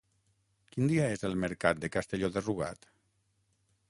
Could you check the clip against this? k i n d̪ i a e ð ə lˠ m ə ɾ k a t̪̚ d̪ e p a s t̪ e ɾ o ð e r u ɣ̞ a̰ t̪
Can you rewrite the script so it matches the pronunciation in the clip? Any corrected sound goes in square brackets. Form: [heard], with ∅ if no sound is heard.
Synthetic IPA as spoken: k i n d̪ i a e [z] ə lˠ m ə ɾ k a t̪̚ d̪ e [k] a s t̪ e [ʎ] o ð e r u ɣ̞ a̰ t̪